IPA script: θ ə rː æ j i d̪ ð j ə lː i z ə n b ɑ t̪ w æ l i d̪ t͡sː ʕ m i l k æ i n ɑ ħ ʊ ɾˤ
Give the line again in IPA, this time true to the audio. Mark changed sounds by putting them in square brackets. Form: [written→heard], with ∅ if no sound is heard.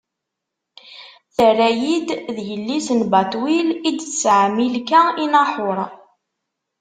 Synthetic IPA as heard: θ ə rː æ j i d̪ ð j ə lː i [z→s] ə n b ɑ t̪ w [æ→i] l i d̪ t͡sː ʕ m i l k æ i n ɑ ħ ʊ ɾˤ